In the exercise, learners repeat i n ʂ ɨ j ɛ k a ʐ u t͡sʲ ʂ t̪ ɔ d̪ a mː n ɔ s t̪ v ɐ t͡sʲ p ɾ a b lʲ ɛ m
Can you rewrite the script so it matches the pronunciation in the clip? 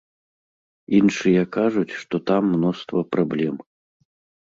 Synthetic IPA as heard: i n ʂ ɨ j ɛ k a ʐ u t͡sʲ ʂ t̪ ɔ t̪ a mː n ɔ s t̪ v ɐ p ɾ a b lʲ ɛ m